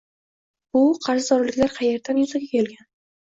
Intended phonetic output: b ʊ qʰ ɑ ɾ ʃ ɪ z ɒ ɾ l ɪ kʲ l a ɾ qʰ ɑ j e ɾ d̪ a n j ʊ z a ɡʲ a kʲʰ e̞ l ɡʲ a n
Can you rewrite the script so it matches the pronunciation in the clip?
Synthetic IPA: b ʊ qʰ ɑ ɾ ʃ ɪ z ɒ ɾ l ɪ kʲ l a ɾ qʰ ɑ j e ɾ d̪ a n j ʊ z a ɡʲ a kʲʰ e̞ l ɡʲ a n